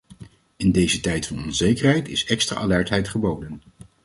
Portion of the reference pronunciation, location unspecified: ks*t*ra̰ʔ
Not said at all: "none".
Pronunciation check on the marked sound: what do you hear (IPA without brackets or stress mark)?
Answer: t